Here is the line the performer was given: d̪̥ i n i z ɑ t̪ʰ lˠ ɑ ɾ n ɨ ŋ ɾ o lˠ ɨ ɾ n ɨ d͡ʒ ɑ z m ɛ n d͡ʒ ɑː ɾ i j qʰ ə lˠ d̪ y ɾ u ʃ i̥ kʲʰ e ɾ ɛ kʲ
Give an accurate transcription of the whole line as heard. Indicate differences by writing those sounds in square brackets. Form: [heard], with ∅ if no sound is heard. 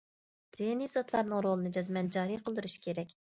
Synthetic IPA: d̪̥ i n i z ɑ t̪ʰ lˠ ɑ ɾ n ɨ ŋ ɾ o lˠ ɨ [∅] n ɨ d͡ʒ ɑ z m ɛ n d͡ʒ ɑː ɾ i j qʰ ə lˠ d̪ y ɾ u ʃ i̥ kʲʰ e ɾ ɛ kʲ